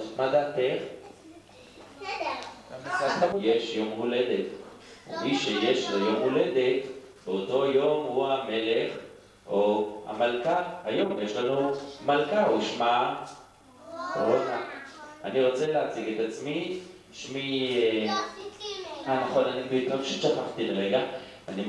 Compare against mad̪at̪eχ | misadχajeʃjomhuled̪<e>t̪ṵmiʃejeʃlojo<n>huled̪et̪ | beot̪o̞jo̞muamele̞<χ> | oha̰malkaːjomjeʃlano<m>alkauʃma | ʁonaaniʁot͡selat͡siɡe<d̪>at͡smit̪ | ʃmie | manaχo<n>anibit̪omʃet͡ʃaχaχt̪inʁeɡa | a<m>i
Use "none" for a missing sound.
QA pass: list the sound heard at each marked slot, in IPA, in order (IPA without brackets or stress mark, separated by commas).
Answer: e, m, χ, m, t̪, n, n